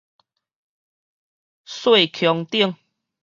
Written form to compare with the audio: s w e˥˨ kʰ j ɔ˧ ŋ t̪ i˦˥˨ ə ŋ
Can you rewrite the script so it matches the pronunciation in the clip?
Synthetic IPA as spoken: s w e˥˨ kʰ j ɔ˧ ŋ t̪ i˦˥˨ ə ŋ